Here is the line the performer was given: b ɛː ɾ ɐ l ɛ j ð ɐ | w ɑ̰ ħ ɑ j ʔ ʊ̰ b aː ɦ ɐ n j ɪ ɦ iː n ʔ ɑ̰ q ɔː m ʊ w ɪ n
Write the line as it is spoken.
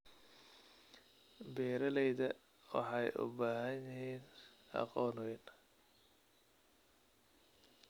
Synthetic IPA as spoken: b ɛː ɾ ɐ l ɛ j ð ɐ | w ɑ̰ ħ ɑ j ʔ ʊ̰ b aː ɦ ɐ n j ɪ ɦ iː n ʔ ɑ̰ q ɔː n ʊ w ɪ n